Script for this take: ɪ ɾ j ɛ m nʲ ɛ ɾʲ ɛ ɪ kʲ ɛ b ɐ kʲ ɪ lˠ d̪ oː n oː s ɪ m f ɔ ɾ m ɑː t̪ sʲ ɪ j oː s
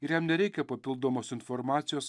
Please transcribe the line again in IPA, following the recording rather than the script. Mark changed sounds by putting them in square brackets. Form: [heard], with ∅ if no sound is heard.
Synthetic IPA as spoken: ɪ ɾ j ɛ m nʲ ɛ ɾʲ ɛ ɪ kʲ ɛ [p] ɐ [pʲ] ɪ lˠ d̪ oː [m] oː s ɪ [n] f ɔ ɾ m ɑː t̪ sʲ ɪ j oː s

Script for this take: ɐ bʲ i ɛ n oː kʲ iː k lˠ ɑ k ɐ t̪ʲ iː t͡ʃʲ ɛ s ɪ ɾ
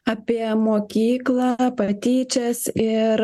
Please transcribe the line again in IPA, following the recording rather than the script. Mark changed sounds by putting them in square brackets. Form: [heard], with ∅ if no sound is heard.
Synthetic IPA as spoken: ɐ [pʲ] i ɛ [m] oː kʲ iː k lˠ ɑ [p] ɐ t̪ʲ iː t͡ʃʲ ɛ s ɪ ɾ

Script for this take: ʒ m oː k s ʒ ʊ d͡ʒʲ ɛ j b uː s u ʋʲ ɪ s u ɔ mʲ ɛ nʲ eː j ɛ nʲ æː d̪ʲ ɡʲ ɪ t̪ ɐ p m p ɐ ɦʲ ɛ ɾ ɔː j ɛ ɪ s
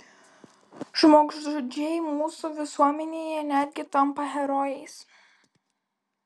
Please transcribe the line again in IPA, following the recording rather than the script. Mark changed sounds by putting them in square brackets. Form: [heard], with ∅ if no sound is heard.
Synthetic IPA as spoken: ʒ m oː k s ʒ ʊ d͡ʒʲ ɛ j [m] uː s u ʋʲ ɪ s u ɔ mʲ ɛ nʲ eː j ɛ nʲ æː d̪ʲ ɡʲ ɪ t̪ ɐ [∅] m p ɐ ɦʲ ɛ ɾ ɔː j ɛ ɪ s

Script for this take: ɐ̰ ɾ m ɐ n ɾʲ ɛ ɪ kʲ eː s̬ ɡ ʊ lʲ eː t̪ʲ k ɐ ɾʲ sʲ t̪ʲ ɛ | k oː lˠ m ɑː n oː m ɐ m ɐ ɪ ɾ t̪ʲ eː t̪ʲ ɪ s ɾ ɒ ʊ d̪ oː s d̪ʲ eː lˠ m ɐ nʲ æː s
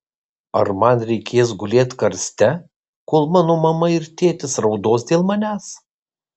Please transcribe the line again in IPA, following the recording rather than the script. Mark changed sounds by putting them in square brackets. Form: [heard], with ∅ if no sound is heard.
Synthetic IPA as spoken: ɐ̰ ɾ m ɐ n ɾʲ ɛ ɪ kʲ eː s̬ ɡ ʊ lʲ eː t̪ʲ k ɐ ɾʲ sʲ t̪ʲ ɛ | k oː lˠ m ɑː n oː m ɐ m ɐ ɪ ɾ t̪ʲ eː t̪ʲ ɪ s ɾ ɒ ʊ d̪ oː s d̪ʲ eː lˠ m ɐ nʲ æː s

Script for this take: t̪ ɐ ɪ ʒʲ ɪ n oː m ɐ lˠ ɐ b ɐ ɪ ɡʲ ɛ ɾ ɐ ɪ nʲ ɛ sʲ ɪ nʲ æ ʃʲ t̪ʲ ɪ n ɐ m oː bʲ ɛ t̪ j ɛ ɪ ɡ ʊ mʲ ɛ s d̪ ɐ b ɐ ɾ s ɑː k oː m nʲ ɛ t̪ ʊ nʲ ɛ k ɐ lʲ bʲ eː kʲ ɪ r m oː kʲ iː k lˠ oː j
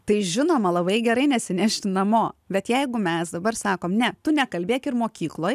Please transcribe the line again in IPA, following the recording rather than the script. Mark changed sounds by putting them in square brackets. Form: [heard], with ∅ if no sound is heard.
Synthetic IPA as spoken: t̪ ɐ ɪ ʒʲ ɪ n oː m ɐ lˠ ɐ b ɐ ɪ ɡʲ ɛ ɾ ɐ ɪ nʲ ɛ sʲ ɪ nʲ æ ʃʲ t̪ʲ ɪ n ɐ m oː bʲ ɛ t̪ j ɛ ɪ ɡ ʊ mʲ ɛ s d̪ ɐ b ɐ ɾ s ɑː k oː m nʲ ɛ t̪ ʊ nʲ ɛ k ɐ lʲ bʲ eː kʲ ɪ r m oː kʲ iː k lˠ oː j

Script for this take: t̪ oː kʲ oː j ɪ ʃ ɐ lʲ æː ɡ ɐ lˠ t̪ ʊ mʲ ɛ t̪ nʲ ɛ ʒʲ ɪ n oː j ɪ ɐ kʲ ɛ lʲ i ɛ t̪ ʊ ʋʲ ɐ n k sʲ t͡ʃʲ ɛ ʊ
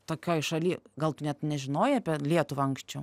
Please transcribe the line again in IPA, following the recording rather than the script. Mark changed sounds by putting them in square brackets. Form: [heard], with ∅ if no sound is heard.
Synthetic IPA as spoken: t̪ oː kʲ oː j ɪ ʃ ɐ lʲ [iː] ɡ ɐ lˠ t̪ ʊ [nʲ] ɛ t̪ nʲ ɛ ʒʲ ɪ n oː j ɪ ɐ [pʲ] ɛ lʲ i ɛ t̪ ʊ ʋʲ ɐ [ŋ] k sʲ t͡ʃʲ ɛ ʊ

